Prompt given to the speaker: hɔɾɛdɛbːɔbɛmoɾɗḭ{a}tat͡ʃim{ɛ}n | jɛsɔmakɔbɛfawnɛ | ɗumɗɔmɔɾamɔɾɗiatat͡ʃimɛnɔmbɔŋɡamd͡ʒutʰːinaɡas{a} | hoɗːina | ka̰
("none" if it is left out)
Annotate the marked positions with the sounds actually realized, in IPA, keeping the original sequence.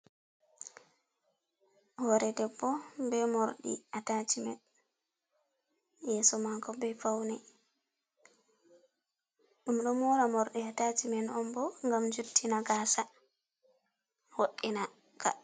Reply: a, ɛ, a

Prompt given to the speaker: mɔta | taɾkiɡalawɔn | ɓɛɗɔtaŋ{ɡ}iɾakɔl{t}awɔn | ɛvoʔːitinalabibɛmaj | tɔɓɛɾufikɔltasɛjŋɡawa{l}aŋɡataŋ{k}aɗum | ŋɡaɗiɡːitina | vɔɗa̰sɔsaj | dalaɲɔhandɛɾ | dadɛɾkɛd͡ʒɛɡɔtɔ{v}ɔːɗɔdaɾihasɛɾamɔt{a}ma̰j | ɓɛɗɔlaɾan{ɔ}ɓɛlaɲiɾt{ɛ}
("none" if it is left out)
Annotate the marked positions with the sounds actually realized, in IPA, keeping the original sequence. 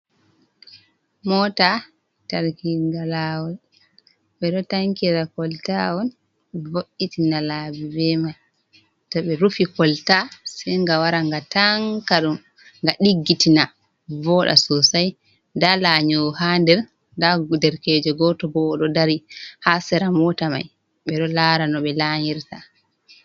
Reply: k, t, ɾ, k, b, a, ɔ, a

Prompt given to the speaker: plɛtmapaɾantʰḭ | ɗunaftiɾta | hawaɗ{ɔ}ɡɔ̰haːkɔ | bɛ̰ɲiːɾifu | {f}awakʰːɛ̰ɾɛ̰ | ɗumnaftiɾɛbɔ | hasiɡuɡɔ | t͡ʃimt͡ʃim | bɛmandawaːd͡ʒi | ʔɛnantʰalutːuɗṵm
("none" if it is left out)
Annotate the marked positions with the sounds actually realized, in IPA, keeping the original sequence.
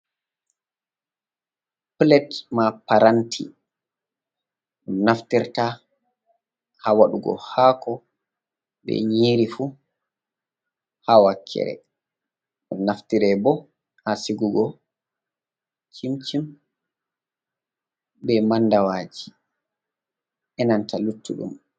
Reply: u, h

